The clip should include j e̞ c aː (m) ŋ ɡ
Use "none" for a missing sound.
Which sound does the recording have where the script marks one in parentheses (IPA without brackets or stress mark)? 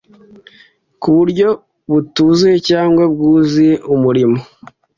none